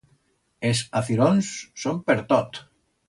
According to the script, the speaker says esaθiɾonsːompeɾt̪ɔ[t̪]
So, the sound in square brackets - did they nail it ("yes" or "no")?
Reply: yes